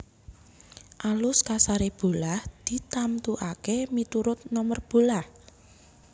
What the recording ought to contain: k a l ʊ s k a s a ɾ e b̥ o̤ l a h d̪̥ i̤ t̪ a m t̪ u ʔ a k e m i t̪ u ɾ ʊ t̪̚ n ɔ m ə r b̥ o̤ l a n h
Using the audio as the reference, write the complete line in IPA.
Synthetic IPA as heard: ʔ a l ʊ s k a s a ɾ e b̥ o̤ l a h d̪̥ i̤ t̪ a m t̪ u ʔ a k e m i t̪ u ɾ ʊ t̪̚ n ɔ m ə r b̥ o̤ l a h